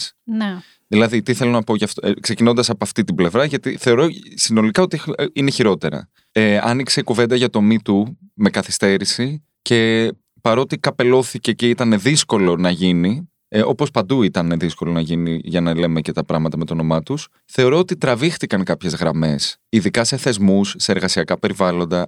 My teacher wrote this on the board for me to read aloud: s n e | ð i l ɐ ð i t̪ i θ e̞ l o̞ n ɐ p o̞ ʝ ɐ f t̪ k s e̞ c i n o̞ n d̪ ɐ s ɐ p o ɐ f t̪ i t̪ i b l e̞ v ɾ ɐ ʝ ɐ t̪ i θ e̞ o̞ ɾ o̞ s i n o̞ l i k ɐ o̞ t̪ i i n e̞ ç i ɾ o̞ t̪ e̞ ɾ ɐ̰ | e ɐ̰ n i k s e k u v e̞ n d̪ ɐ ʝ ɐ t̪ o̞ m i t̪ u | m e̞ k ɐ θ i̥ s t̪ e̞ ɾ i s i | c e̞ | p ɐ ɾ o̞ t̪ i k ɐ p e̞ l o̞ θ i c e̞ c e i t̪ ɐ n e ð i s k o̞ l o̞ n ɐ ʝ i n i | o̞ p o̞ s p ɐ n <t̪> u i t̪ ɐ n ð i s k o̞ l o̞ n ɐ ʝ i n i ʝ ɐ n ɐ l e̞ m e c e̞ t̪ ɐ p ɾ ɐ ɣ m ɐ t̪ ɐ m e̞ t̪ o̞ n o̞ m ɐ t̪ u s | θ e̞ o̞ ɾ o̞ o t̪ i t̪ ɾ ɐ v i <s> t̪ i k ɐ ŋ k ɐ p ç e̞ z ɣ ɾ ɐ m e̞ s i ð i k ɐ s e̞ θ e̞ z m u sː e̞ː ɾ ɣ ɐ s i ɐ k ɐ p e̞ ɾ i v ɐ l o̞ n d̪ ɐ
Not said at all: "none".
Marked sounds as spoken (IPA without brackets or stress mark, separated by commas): d̪, x